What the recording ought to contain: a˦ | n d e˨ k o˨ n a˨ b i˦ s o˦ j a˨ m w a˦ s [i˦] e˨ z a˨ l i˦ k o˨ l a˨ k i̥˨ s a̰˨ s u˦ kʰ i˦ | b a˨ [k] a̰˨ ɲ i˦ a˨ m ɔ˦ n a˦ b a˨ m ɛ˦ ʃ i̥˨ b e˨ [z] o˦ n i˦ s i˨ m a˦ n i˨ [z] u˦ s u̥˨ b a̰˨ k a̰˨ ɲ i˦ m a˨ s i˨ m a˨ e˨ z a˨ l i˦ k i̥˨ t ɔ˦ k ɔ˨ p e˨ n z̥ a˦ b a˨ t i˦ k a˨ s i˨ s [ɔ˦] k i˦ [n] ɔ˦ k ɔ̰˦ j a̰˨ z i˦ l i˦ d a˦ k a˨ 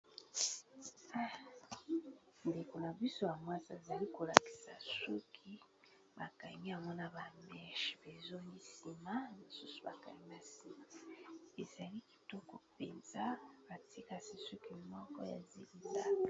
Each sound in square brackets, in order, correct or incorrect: incorrect, correct, correct, incorrect, incorrect, incorrect

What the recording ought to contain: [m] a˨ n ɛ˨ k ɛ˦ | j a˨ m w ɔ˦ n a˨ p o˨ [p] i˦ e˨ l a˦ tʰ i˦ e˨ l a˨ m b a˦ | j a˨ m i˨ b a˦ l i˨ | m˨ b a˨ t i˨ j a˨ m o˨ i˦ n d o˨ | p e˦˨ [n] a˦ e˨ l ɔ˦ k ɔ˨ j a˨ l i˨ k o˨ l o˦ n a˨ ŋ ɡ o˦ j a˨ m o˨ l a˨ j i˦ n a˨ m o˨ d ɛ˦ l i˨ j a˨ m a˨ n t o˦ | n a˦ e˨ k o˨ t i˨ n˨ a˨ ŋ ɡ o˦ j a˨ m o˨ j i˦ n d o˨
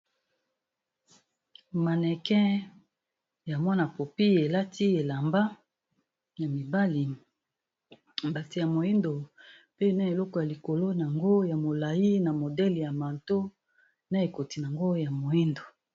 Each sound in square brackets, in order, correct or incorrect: correct, correct, correct

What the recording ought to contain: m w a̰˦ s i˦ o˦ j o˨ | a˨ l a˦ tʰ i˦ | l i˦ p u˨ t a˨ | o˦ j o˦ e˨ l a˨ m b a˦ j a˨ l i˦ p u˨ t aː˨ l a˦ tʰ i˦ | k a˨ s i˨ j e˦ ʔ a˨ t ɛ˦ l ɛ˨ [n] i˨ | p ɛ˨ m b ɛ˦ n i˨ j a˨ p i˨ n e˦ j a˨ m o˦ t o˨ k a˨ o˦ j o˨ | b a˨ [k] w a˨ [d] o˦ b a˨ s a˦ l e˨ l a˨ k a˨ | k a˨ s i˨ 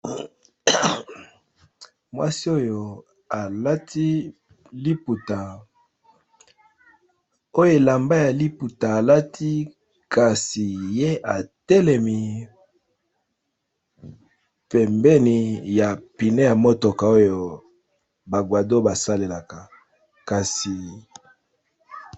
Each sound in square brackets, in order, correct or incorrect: incorrect, incorrect, correct

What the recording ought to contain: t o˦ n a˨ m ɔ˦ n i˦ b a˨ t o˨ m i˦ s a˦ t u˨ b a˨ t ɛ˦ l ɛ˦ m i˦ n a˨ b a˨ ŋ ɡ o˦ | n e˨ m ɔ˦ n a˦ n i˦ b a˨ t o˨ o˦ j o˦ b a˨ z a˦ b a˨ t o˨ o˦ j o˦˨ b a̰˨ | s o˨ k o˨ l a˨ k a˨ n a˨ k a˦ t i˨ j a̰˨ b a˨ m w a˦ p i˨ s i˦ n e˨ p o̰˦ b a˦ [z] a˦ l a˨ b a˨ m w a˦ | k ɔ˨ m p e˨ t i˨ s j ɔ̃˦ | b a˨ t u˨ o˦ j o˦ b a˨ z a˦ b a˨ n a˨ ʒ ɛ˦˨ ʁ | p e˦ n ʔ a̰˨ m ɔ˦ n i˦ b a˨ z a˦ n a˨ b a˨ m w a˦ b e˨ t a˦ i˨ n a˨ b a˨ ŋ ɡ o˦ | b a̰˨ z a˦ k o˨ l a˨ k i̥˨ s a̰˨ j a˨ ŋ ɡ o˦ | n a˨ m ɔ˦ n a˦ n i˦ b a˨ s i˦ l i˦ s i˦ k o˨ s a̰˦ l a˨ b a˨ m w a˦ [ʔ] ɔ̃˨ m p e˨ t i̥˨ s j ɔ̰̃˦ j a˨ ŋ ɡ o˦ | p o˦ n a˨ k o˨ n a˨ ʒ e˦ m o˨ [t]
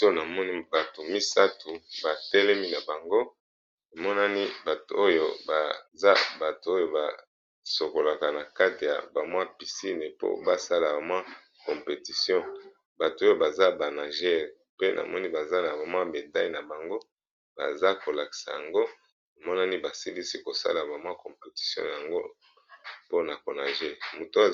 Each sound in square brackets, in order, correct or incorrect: incorrect, incorrect, correct

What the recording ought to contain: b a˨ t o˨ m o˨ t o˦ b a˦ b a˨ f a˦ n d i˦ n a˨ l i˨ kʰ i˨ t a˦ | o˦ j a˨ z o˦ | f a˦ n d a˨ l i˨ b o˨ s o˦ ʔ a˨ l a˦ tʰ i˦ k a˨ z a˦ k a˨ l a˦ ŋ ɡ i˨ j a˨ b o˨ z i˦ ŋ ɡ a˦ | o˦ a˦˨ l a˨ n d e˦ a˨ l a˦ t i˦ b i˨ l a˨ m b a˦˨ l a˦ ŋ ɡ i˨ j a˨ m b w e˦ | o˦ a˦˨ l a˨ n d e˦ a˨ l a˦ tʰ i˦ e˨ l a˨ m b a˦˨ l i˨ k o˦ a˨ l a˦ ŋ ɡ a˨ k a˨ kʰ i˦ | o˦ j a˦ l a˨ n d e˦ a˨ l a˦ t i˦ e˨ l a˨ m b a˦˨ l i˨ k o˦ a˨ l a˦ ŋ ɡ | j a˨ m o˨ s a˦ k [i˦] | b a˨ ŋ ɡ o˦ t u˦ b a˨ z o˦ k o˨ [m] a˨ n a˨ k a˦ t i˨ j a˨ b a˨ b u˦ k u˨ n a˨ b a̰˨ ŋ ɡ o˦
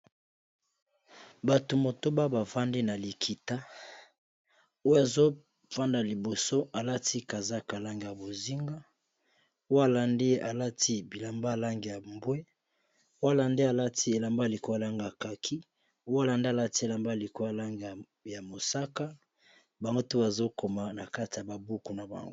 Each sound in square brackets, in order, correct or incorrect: incorrect, correct

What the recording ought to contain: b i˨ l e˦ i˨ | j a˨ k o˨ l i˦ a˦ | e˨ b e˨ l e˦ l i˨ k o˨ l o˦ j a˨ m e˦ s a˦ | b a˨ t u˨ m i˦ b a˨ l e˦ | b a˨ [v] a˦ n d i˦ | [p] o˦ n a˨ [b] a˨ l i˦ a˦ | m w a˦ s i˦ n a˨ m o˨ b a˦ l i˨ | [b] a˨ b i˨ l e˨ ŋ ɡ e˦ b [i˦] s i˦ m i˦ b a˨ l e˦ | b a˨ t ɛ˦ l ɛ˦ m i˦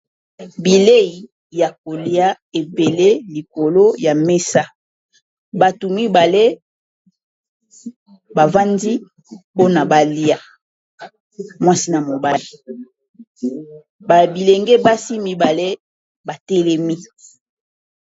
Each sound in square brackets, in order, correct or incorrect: correct, correct, correct, correct, incorrect

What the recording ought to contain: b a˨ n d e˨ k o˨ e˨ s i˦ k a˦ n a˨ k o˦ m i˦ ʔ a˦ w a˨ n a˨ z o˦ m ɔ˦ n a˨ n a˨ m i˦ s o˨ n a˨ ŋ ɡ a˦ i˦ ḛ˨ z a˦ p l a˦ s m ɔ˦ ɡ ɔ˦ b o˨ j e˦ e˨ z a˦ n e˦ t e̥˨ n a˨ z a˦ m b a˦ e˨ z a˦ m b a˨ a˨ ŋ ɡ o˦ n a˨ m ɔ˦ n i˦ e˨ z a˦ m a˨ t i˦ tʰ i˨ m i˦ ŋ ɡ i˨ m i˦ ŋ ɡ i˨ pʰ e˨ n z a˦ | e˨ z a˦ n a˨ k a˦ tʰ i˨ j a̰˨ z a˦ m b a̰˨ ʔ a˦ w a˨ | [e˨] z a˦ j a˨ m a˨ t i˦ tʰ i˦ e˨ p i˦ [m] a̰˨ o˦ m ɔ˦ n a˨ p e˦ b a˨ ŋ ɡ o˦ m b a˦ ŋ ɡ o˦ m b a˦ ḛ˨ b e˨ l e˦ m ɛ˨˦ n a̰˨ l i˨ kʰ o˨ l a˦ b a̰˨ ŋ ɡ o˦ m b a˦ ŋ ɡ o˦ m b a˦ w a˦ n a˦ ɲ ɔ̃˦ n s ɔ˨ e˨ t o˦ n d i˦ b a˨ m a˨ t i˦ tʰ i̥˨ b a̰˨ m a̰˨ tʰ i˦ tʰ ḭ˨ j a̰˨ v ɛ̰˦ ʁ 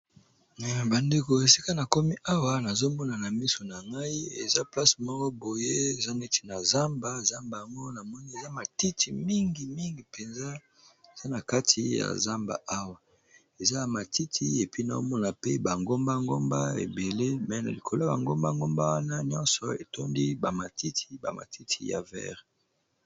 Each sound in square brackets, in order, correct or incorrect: correct, incorrect

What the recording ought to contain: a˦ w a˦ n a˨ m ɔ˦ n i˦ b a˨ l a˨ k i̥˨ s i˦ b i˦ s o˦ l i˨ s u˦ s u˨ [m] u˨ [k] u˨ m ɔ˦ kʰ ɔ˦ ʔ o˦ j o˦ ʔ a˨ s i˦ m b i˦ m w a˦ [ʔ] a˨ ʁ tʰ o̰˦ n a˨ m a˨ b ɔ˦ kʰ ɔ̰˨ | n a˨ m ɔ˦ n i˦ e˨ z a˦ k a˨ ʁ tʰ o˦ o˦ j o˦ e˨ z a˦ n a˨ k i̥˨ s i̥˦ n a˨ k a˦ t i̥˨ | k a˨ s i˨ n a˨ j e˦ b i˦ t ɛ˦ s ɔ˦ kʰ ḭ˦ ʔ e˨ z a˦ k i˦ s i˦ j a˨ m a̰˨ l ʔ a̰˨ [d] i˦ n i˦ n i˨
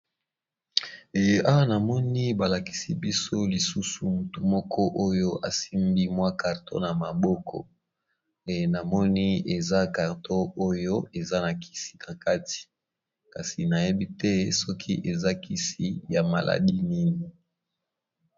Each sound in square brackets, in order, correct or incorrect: correct, incorrect, incorrect, correct

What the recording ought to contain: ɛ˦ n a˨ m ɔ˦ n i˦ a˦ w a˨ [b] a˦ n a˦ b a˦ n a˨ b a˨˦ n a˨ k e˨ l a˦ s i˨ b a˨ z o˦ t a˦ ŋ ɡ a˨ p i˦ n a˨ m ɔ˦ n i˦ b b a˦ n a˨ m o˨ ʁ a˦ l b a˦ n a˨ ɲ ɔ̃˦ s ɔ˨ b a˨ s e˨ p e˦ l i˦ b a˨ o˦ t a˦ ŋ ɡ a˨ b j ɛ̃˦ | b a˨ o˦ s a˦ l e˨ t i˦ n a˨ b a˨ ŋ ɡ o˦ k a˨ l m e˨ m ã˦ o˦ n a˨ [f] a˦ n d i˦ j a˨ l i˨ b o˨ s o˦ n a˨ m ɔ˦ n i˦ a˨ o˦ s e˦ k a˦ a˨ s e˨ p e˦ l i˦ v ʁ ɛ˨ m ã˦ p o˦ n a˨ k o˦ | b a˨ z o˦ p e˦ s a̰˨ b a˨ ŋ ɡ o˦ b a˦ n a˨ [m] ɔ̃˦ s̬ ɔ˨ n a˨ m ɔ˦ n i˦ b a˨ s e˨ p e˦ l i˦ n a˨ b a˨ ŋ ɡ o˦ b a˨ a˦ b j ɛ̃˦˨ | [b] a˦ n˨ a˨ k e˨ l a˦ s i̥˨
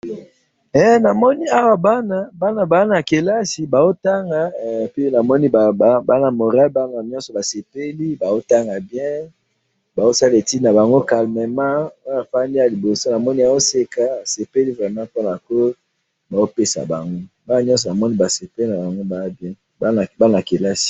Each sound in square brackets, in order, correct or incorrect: correct, correct, incorrect, correct

